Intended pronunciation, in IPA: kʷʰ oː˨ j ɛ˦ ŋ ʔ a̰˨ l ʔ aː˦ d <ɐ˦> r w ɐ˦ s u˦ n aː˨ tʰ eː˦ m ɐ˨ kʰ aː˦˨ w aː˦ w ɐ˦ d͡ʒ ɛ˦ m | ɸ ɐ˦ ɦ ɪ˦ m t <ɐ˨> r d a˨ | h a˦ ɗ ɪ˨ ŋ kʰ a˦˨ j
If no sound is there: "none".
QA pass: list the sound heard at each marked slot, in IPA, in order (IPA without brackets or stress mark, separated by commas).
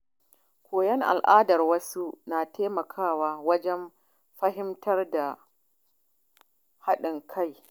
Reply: ɐ˨, ɐ˦